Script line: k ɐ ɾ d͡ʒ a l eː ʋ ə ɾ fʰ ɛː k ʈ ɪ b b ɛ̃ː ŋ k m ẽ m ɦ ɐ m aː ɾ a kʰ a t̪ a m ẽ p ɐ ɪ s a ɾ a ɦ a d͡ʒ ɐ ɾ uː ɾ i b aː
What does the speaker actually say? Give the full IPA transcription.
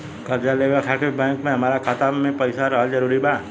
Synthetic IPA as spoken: k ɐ ɾ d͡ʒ a l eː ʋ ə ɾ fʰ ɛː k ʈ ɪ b b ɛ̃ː ŋ k m ẽ ɦ ɐ m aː ɾ a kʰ a t̪ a m ẽ p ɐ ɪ s a ɾ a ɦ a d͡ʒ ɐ ɾ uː ɾ i b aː

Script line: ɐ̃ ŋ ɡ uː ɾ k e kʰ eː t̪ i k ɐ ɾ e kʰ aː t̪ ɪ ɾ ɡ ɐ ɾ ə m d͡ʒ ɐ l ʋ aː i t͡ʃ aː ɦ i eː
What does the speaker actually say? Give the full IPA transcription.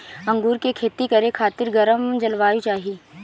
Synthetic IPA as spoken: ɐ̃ ŋ ɡ uː ɾ k e kʰ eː t̪ i k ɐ ɾ e kʰ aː t̪ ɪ ɾ ɡ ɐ ɾ ə m d͡ʒ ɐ l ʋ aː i t͡ʃ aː ɦ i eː

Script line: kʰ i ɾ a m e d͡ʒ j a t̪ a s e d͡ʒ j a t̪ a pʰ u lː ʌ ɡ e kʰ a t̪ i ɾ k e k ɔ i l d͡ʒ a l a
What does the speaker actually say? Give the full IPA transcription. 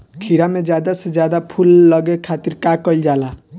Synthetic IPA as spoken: kʰ i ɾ a m e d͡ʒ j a d̪ a s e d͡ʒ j a d̪ a pʰ u lː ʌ ɡ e kʰ a t̪ i ɾ k a k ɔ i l d͡ʒ a l a

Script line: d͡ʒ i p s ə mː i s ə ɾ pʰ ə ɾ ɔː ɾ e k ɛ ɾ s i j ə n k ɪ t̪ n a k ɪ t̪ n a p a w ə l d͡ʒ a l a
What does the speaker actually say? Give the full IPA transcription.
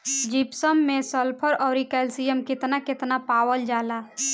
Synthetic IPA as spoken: d͡ʒ i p s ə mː e s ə l pʰ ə ɾ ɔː ɾ i k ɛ l s i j ə m k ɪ t̪ n a k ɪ t̪ n a p a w ə l d͡ʒ a l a

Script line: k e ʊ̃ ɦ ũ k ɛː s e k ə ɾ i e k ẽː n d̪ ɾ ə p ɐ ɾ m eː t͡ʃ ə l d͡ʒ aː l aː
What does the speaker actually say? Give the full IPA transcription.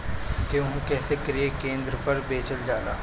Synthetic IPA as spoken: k e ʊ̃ ɦ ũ k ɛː s e k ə ɾ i e k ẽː n d̪ ɾ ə p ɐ ɾ b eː t͡ʃ ə l d͡ʒ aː l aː

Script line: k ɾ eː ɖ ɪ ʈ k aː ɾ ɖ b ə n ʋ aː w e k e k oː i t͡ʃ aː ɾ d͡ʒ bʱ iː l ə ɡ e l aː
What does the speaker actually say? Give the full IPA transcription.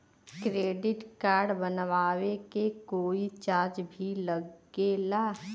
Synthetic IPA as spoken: k ɾ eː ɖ ɪ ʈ k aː ɾ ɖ b ə n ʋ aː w e k e k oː i t͡ʃ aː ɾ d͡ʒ bʱ i l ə ɡ e l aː

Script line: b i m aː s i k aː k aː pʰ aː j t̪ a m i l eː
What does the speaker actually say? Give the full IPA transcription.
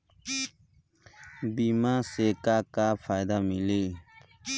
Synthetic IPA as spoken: b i m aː s e k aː k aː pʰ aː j d̪ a m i l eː

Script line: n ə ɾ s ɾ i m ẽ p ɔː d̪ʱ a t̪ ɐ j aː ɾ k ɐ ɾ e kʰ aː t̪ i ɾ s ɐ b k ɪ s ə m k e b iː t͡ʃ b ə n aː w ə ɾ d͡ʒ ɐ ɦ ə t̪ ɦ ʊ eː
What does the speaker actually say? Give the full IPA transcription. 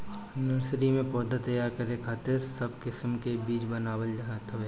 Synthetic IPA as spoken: n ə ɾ s ɾ i m ẽ p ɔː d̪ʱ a t̪ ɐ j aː ɾ k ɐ ɾ e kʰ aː t̪ ɪ ɾ s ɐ b k ɪ s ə m k e b iː t͡ʃ b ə n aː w ə l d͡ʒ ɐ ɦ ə t̪ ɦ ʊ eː

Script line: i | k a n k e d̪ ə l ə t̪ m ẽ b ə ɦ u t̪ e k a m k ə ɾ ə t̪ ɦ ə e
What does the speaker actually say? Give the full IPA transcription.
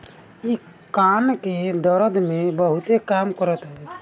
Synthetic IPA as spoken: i | k a n k e d̪ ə ɾ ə d̪ m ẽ b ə ɦ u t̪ e k a m k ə ɾ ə t̪ ɦ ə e

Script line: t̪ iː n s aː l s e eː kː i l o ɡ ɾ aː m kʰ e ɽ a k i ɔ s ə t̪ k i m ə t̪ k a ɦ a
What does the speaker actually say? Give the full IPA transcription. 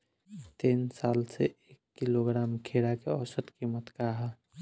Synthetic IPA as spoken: t̪ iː n s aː l s e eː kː i l o ɡ ɾ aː m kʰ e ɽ a k e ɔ s ə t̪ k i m ə t̪ k a ɦ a

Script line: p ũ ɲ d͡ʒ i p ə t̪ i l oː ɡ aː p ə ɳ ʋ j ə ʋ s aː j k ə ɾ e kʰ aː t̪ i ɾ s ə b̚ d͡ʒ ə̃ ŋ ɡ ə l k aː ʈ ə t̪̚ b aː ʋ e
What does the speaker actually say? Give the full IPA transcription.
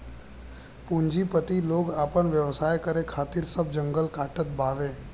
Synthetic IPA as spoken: p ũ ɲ d͡ʒ i p ə t̪ i l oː ɡ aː p ə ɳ ʋ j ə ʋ s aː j k ə ɾ e kʰ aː t̪ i ɾ s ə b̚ d͡ʒ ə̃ ŋ ɡ ə l k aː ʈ ə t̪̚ b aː ʋ e

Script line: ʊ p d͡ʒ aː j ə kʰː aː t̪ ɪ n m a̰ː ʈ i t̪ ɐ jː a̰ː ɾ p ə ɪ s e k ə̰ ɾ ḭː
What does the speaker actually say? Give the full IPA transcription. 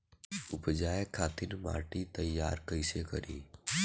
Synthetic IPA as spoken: ʊ p d͡ʒ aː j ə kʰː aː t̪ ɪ n m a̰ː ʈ i t̪ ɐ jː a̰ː ɾ k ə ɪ s e k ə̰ ɾ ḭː

